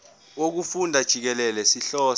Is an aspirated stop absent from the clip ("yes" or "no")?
yes